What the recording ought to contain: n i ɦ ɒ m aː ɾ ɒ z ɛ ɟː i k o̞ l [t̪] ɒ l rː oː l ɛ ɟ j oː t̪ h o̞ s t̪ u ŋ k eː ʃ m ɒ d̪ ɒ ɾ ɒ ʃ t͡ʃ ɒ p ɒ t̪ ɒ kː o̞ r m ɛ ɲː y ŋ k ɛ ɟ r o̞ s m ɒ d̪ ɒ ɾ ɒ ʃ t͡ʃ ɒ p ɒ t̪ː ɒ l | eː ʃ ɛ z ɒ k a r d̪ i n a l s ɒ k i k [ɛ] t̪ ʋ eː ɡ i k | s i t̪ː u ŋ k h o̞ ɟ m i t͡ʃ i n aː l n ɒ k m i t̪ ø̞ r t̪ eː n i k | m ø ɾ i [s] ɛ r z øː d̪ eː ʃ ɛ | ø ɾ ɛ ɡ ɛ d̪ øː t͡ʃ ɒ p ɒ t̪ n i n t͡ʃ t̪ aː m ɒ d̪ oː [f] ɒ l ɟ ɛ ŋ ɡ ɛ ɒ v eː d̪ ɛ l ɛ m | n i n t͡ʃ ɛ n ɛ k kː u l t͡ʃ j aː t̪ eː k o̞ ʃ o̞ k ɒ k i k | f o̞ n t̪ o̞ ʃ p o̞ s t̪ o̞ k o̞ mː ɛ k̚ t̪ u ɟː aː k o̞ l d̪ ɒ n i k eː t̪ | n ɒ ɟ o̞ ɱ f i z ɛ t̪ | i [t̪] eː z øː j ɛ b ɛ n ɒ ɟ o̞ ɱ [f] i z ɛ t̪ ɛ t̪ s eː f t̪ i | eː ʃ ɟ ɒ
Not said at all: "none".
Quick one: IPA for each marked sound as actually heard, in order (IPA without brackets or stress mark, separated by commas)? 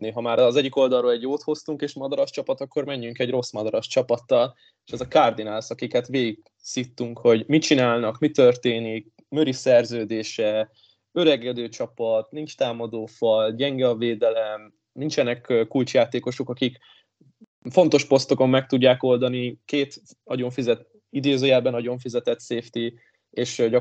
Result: d̪, ɛ, s, f, d̪, f